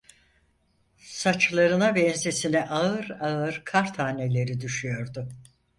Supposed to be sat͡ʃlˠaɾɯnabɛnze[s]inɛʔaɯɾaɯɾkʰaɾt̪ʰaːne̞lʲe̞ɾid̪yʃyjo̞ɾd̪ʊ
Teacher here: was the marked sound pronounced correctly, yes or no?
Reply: yes